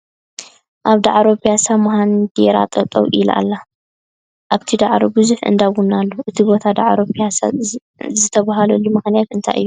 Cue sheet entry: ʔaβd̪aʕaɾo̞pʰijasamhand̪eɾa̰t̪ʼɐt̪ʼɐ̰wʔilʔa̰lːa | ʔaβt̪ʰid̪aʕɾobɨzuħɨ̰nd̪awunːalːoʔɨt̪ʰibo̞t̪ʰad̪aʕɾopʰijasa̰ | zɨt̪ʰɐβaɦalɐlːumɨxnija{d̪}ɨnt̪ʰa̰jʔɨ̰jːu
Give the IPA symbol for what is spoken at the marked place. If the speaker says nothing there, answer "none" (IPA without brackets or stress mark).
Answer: t̪